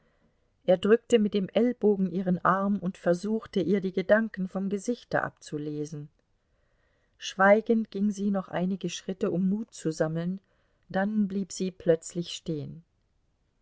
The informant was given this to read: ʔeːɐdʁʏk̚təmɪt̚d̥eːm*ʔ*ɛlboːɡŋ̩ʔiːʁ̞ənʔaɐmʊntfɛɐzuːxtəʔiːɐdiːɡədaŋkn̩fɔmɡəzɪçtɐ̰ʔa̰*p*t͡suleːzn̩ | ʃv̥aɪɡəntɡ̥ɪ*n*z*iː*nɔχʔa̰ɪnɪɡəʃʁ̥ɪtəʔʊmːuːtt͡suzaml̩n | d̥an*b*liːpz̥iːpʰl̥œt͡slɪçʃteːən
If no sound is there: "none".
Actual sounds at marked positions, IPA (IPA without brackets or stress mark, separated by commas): ʔ, p, ŋ, iː, b